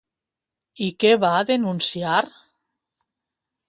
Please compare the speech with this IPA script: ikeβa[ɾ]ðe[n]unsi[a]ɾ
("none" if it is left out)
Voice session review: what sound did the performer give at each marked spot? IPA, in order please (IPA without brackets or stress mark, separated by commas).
none, n, a